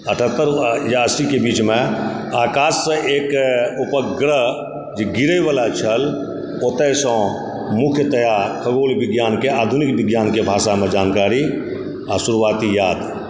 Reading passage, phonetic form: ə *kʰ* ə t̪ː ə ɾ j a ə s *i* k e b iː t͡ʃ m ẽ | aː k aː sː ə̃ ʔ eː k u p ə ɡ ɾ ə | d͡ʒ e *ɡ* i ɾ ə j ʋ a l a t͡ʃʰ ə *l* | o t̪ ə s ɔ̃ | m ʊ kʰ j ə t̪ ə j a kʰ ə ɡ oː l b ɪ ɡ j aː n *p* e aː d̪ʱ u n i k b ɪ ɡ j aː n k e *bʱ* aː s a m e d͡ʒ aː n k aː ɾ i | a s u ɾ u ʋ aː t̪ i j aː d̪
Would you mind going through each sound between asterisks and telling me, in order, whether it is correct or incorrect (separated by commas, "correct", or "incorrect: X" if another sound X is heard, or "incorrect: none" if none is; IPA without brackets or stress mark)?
incorrect: ʈʰ, correct, correct, correct, incorrect: k, correct